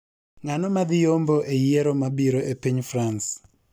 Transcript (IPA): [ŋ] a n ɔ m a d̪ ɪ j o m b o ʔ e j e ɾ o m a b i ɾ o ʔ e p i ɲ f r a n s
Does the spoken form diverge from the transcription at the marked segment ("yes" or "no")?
no